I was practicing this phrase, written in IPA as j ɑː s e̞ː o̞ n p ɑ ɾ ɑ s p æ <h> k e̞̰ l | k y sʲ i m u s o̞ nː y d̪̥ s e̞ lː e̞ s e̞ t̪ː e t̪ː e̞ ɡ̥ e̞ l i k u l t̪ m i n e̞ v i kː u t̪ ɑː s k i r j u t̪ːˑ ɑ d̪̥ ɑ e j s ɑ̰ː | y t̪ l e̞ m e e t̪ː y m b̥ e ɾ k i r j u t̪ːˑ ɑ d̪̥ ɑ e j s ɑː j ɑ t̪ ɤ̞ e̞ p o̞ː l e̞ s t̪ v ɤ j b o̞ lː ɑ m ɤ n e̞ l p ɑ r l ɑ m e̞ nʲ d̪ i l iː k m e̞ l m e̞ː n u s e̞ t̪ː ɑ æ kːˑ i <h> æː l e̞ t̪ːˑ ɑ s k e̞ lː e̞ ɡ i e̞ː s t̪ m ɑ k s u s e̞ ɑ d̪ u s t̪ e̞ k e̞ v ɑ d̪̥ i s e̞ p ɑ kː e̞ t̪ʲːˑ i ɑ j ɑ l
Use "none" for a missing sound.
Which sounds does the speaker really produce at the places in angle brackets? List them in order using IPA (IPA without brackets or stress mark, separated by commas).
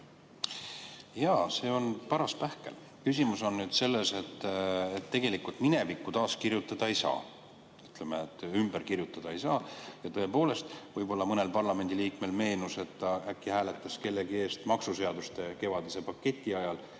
h, h